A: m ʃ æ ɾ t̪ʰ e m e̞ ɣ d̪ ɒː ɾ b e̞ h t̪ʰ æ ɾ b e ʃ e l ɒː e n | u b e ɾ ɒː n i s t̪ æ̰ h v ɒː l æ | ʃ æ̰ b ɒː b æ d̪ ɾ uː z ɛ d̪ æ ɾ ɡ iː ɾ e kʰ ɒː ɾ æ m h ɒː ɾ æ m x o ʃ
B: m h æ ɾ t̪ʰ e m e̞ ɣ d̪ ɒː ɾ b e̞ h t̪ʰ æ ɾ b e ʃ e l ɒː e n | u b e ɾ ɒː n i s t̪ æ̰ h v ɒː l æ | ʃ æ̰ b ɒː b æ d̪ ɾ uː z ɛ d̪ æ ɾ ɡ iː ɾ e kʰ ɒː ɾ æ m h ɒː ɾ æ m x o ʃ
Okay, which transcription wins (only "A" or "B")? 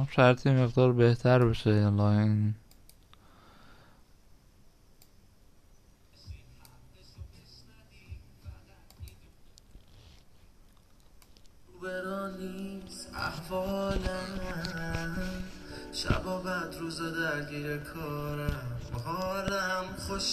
A